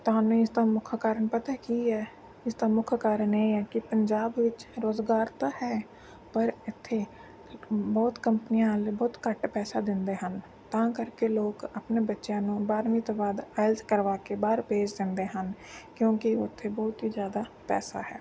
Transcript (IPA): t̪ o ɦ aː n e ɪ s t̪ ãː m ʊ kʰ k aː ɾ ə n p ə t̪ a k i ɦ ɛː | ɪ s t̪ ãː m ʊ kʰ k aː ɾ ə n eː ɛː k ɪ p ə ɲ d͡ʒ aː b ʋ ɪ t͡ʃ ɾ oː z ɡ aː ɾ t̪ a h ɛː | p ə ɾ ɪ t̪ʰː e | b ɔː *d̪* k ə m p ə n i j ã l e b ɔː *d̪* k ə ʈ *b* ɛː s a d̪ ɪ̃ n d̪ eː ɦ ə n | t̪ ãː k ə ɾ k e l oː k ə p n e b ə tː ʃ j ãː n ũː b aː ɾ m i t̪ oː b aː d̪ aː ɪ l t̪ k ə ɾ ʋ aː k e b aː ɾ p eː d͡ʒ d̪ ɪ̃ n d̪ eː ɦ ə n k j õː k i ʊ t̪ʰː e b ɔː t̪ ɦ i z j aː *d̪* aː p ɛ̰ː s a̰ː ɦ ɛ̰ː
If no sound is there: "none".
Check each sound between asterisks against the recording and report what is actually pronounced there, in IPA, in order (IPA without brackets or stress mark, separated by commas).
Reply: t̪, t̪, p, d̪